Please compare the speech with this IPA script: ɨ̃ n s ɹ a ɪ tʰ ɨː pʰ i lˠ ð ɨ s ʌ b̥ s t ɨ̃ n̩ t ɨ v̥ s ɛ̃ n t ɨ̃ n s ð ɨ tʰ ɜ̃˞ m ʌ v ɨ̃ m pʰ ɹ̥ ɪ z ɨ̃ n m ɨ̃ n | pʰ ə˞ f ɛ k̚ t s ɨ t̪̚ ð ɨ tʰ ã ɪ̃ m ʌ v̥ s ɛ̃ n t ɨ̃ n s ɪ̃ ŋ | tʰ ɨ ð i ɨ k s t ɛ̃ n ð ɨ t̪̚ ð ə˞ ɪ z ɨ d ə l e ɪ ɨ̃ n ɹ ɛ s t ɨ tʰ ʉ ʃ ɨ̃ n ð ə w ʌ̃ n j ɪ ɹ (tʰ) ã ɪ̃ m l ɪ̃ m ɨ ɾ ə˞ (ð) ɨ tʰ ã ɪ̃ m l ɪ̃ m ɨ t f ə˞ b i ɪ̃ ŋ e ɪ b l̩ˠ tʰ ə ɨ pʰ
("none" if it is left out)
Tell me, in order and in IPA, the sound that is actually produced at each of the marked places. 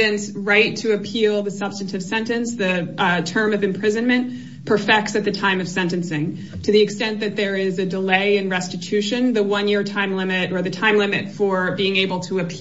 tʰ, ð

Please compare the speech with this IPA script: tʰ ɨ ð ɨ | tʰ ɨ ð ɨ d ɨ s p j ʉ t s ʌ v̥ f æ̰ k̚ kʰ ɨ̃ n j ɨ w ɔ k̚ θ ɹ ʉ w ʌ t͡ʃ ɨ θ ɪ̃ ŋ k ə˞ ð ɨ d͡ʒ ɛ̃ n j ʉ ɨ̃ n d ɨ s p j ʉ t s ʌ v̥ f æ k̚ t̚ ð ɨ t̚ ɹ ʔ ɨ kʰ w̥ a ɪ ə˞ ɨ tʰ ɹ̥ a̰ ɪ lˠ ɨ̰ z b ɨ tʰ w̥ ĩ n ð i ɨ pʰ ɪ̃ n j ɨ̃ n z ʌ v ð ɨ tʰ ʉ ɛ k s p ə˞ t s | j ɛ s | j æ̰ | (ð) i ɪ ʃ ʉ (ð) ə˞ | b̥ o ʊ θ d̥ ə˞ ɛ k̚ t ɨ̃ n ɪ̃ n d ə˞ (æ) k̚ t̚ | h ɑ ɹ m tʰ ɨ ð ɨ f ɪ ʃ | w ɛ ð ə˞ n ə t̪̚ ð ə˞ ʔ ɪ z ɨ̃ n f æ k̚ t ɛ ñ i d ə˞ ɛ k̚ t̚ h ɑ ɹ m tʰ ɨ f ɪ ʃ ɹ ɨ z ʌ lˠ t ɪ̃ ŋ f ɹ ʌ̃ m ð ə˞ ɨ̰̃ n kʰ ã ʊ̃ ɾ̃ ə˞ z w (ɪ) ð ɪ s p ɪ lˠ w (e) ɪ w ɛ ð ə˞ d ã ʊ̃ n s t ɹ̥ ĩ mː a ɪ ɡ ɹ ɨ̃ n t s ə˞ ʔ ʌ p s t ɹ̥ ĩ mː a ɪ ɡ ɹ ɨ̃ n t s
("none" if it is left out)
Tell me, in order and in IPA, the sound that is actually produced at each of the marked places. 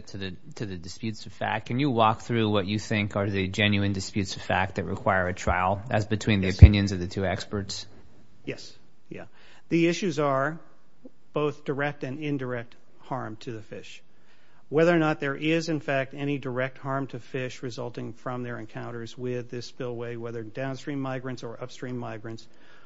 ð, z, ɛ, ɪ, e

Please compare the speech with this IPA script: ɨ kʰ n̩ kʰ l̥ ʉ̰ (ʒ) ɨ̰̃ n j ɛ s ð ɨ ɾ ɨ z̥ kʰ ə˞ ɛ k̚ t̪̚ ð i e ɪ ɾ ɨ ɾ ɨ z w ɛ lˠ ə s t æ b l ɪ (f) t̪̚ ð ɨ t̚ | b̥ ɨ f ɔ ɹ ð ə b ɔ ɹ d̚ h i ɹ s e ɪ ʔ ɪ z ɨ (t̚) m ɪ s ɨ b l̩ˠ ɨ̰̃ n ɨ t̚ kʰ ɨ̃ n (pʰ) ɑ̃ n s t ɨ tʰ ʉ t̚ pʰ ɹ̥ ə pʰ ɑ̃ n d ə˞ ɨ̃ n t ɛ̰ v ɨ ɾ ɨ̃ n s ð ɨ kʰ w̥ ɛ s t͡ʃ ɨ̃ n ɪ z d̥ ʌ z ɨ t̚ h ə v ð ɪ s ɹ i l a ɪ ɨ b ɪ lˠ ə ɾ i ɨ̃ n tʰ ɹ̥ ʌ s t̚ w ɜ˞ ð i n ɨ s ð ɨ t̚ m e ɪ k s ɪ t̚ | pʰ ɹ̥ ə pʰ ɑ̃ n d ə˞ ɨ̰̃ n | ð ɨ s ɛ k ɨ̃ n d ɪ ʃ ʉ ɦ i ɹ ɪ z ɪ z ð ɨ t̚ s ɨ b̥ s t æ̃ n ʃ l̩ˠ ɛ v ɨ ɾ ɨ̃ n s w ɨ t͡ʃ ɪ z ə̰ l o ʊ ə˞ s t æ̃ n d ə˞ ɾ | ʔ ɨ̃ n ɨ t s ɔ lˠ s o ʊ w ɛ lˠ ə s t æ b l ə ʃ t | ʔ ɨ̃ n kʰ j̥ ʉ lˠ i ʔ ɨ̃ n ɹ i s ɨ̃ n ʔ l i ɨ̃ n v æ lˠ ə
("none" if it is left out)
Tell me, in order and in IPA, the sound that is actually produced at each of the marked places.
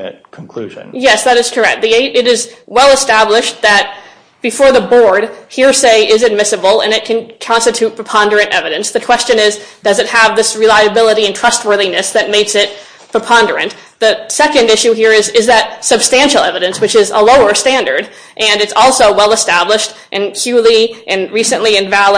ʒ, ʃ, d̚, kʰ

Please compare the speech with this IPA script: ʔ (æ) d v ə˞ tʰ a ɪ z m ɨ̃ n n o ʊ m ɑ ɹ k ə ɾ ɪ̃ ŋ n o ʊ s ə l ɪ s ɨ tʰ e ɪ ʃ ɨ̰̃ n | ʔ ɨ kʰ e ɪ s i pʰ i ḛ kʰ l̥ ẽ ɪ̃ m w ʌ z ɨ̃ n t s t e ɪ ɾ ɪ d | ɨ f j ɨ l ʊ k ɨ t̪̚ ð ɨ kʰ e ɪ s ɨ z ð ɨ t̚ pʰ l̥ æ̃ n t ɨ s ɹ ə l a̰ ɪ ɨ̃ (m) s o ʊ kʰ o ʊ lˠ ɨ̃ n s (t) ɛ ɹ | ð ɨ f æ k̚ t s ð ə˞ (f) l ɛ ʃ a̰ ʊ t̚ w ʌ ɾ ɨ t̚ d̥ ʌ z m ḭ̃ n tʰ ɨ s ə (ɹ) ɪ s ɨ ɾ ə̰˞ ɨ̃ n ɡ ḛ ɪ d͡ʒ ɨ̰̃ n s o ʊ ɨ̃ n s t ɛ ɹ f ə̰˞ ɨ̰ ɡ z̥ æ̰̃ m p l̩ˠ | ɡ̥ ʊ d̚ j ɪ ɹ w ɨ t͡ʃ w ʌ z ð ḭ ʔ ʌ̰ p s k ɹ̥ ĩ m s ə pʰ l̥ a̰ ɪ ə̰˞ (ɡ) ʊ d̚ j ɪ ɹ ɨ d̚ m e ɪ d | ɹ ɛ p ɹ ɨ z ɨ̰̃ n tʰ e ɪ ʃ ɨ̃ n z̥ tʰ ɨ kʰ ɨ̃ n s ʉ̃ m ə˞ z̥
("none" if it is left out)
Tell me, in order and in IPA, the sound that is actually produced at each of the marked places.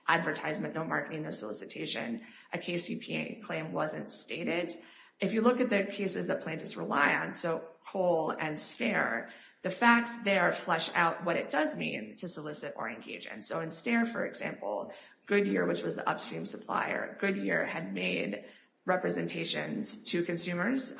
æ, n, t, f, l, ɡ

